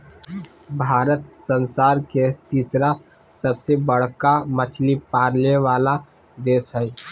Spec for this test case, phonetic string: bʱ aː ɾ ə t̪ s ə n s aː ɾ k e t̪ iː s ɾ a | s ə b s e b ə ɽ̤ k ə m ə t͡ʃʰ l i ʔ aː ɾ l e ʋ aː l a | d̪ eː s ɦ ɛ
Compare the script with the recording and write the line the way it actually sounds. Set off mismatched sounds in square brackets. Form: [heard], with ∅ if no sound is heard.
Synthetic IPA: bʱ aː ɾ ə t̪ s ə n s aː ɾ k e t̪ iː s ɾ a | s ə b s e b ə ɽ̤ k [a] m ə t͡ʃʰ l i [p] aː ɾ l e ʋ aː l a | d̪ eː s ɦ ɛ